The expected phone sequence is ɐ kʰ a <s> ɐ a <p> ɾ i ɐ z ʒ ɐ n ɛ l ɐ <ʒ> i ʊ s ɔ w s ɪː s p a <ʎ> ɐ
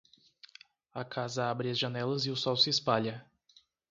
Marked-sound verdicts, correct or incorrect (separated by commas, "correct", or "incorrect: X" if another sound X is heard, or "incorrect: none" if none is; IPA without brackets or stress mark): incorrect: z, incorrect: b, incorrect: z, correct